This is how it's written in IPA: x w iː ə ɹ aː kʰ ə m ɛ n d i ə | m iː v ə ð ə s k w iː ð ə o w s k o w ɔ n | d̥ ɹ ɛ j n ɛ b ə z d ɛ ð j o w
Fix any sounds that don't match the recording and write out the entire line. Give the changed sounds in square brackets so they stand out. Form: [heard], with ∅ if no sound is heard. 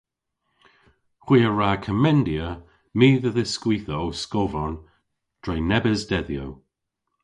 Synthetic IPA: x w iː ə ɹ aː kʰ ə m ɛ n d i ə | m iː [ð] ə ð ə s k w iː [θ] ə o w s k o [v] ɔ n | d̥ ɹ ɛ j n ɛ b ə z d ɛ ð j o w